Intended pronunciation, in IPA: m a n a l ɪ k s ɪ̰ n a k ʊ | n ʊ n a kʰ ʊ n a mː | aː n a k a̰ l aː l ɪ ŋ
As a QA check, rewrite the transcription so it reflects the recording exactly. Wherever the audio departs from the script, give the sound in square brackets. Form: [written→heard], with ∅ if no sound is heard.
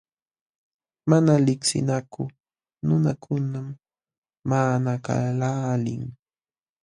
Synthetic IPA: m a n a l ɪ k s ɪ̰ n a k ʊ | n ʊ n a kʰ ʊ n a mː | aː n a k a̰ l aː l ɪ ŋ